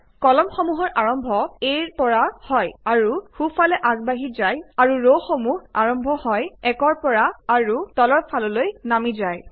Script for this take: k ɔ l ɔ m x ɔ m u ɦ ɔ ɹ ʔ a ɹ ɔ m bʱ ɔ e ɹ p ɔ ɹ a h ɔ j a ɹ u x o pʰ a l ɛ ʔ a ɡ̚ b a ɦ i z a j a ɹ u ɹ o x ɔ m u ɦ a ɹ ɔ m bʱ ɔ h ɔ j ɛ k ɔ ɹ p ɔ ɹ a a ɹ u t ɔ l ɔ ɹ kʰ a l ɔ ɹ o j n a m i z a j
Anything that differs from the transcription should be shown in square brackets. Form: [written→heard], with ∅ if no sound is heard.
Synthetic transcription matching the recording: k ɔ l ɔ m x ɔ m u ɦ ɔ ɹ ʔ a ɹ ɔ m bʱ ɔ e ɹ p ɔ ɹ a h ɔ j a ɹ u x [o→u] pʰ a l ɛ ʔ a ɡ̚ b a ɦ i z a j a ɹ u ɹ o x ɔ m u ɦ a ɹ ɔ m bʱ ɔ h ɔ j ɛ k ɔ ɹ p ɔ ɹ a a ɹ u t ɔ l ɔ ɹ [kʰ→pʰ] a l ɔ [ɹ→l] o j n a m i z a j